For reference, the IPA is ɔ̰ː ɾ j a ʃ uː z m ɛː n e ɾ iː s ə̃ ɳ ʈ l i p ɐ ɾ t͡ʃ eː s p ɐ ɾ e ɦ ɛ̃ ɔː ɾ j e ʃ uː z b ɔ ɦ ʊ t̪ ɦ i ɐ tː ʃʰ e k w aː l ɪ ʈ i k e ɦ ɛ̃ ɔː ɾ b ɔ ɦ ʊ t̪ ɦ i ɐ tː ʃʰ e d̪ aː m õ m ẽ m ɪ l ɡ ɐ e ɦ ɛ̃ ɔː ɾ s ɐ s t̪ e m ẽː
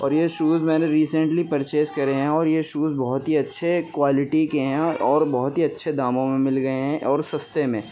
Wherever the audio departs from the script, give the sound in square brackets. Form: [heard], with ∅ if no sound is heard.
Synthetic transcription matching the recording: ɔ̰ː ɾ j [e] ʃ uː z m ɛː n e ɾ iː s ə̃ ɳ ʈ l i p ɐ ɾ t͡ʃ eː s [k] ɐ ɾ e ɦ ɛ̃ ɔː ɾ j e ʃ uː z b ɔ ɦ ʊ t̪ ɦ i ɐ tː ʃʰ e k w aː l ɪ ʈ i k e ɦ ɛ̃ ɔː ɾ b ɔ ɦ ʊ t̪ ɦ i ɐ tː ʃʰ e d̪ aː m õ m ẽ m ɪ l ɡ ɐ e ɦ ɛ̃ ɔː ɾ s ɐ s t̪ e m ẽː